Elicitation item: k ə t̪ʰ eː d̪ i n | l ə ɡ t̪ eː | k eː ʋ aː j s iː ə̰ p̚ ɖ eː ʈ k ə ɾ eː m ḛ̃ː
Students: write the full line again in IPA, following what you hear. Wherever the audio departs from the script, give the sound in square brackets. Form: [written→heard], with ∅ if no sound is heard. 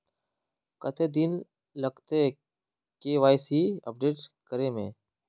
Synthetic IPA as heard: k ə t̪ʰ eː d̪ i n | l ə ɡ t̪ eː | k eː ʋ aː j s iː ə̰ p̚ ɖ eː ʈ k ə ɾ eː m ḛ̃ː